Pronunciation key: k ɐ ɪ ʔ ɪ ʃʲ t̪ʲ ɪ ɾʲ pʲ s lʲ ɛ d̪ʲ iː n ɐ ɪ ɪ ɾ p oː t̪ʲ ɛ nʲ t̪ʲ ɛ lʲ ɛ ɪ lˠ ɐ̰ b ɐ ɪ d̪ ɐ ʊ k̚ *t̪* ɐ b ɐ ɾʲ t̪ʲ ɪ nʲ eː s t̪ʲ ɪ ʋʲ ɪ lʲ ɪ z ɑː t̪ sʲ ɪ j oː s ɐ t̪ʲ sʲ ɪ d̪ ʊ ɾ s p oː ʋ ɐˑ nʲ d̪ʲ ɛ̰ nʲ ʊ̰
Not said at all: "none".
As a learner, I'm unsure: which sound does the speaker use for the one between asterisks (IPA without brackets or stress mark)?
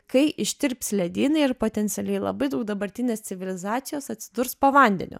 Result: d̪